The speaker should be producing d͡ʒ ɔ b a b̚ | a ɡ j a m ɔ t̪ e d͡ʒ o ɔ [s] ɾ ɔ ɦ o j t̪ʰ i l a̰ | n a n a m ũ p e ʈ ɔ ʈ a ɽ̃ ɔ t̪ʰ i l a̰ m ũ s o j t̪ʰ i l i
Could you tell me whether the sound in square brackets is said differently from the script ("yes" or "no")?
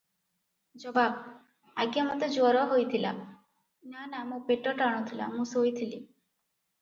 yes